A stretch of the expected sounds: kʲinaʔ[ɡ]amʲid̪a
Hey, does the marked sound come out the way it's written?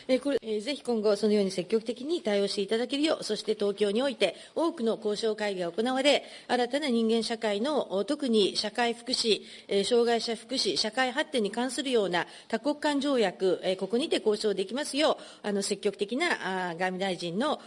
yes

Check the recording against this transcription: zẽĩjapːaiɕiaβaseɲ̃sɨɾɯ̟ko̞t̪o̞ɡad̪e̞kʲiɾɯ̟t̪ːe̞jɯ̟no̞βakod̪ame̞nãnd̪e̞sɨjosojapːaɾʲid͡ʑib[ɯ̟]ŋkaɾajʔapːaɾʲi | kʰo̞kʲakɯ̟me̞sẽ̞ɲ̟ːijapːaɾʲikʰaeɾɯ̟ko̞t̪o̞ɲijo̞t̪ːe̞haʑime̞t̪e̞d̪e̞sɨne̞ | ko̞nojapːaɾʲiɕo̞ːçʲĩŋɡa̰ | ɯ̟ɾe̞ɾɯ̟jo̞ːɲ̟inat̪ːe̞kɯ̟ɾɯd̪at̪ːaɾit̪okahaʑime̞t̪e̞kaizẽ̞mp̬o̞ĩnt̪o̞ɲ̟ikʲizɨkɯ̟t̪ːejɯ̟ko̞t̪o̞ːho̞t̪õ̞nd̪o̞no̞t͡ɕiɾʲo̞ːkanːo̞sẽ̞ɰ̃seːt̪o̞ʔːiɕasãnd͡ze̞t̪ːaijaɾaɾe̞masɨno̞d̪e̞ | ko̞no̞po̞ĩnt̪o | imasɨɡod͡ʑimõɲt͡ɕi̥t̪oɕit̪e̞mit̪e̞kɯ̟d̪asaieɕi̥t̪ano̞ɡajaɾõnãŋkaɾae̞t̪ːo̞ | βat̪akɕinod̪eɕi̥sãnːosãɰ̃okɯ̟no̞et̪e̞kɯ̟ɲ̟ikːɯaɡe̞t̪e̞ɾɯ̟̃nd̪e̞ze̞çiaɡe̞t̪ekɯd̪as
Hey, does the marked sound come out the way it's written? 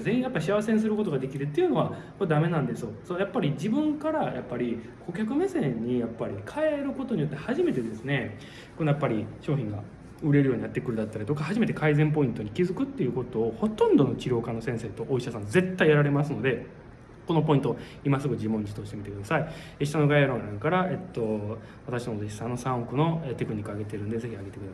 no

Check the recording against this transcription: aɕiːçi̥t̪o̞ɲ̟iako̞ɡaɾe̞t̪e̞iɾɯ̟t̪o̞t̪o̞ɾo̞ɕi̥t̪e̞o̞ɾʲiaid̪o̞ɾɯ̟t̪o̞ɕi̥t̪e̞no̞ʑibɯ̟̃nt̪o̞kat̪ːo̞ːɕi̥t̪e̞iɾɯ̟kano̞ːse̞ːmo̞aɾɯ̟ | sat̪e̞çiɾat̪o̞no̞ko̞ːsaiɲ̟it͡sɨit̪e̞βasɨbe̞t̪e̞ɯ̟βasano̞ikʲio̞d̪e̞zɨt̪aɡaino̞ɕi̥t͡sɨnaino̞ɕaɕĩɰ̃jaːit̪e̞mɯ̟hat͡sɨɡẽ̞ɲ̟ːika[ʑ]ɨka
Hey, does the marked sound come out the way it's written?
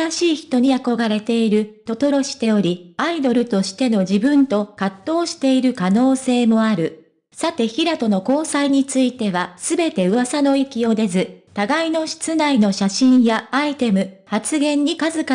no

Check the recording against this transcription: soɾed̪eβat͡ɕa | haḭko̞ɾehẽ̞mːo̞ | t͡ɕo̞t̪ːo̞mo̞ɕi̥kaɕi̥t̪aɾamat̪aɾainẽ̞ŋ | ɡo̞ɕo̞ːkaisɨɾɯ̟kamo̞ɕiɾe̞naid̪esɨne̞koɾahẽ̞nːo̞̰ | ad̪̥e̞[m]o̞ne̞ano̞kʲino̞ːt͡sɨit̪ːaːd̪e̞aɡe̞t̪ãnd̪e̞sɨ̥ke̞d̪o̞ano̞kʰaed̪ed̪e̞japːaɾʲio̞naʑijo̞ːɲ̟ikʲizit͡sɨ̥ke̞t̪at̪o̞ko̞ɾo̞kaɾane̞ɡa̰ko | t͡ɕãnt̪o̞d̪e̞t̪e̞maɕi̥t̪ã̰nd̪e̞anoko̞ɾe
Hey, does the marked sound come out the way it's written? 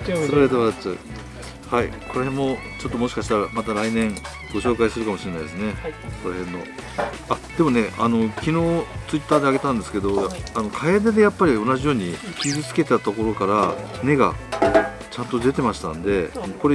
yes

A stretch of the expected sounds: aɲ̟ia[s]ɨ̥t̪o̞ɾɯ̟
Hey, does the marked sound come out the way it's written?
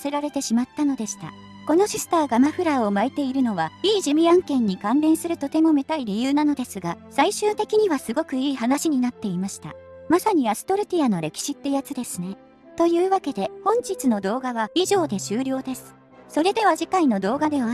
yes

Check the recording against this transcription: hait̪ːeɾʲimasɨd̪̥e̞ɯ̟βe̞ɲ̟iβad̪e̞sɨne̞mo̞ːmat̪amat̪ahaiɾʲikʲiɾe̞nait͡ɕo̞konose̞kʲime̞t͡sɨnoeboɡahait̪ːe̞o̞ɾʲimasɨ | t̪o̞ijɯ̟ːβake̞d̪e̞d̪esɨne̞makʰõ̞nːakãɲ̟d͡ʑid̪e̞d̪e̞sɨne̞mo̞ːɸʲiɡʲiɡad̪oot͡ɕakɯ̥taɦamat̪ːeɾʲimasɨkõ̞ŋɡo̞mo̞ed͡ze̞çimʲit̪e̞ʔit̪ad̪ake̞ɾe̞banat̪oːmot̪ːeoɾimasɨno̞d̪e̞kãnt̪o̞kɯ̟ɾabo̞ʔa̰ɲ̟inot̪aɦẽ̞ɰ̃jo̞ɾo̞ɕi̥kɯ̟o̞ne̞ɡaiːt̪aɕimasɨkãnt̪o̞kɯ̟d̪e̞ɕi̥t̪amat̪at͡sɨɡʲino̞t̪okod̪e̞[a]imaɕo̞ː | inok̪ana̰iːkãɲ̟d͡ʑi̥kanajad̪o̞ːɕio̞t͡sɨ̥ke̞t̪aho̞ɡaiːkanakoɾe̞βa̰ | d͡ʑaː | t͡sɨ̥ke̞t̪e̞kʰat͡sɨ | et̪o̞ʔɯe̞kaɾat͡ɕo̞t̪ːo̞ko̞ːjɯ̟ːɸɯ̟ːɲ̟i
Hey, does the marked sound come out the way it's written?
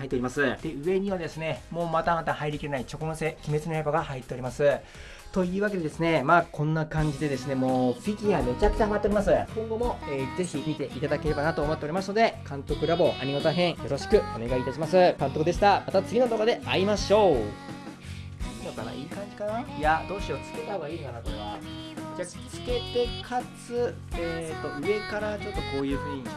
yes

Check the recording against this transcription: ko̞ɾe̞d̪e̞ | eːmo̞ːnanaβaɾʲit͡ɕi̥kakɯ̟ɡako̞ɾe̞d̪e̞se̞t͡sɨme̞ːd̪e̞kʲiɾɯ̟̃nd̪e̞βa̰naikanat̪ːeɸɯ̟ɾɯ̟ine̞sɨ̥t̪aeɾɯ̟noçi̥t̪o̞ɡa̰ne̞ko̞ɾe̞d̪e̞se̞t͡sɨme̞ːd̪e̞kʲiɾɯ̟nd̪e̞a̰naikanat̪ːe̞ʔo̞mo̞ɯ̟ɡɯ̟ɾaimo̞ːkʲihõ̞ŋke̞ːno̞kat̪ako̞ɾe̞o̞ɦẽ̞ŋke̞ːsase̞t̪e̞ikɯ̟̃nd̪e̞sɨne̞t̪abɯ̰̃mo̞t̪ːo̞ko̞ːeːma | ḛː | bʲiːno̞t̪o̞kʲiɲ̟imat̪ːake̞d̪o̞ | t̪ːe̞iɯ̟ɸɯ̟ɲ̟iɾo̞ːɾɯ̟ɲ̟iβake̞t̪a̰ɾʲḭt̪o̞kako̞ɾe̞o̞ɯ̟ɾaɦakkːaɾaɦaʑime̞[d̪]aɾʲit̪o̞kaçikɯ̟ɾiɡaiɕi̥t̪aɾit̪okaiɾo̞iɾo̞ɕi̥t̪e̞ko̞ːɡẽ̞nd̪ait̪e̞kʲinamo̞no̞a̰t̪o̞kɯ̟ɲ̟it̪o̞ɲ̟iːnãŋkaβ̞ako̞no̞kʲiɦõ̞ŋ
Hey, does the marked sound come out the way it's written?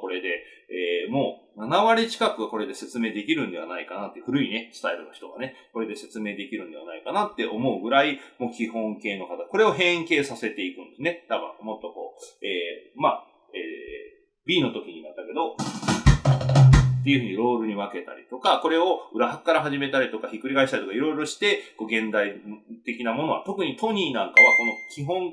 no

